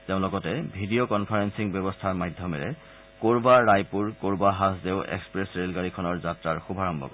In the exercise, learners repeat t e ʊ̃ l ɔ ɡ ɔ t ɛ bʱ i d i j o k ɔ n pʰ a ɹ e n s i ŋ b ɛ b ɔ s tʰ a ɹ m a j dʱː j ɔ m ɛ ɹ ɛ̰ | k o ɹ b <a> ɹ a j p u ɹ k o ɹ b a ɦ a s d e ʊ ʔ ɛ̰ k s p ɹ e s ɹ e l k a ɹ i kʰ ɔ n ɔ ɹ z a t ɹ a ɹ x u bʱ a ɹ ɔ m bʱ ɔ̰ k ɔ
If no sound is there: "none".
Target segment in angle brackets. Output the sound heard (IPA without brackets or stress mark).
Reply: a